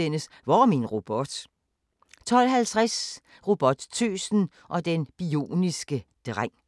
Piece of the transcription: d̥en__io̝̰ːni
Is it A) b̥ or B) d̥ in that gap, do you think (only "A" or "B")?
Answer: A